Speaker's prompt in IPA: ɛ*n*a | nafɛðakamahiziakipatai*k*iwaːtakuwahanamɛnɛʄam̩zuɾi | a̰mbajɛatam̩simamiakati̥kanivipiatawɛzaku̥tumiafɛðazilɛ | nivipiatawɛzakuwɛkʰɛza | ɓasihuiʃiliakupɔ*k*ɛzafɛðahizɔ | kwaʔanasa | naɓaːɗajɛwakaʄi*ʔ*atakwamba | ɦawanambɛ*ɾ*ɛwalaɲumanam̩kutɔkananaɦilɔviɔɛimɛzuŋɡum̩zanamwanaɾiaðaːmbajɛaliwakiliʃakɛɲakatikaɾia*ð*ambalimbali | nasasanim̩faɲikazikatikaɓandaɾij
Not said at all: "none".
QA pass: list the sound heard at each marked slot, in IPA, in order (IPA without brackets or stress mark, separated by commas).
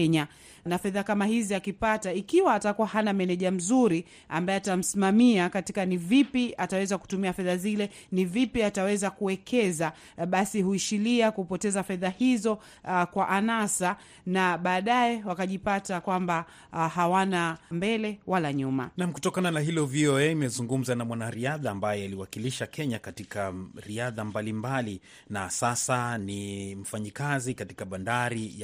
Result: ɲ, k, t, p, l, ð